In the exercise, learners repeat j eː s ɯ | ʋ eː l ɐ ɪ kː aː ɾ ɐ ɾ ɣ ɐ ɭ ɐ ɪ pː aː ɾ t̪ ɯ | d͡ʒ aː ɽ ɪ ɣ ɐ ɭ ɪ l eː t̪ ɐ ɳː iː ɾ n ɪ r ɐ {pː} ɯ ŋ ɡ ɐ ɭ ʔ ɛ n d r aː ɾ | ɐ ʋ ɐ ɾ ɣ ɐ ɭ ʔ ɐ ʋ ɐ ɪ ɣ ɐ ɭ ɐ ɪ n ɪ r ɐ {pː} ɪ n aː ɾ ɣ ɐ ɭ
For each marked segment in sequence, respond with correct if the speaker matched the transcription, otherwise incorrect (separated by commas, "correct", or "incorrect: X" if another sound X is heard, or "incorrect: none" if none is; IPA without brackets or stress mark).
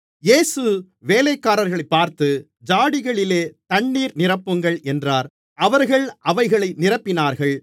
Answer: correct, correct